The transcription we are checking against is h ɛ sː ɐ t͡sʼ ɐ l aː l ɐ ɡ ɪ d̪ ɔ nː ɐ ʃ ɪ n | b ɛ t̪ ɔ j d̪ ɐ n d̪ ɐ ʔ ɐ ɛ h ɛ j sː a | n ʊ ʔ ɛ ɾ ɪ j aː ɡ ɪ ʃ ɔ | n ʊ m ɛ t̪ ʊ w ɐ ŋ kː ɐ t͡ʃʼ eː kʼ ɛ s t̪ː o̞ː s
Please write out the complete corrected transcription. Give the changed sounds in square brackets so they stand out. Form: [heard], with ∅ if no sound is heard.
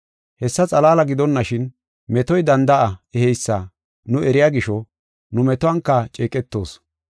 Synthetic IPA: h ɛ sː ɐ t͡sʼ ɐ l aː l ɐ ɡ ɪ d̪ ɔ nː ɐ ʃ ɪ n | [m] ɛ t̪ ɔ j d̪ ɐ n d̪ ɐ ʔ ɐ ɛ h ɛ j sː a | n ʊ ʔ ɛ ɾ ɪ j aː ɡ ɪ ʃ ɔ | n ʊ m ɛ t̪ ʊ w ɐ ŋ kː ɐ t͡ʃʼ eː kʼ ɛ [∅] t̪ː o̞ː s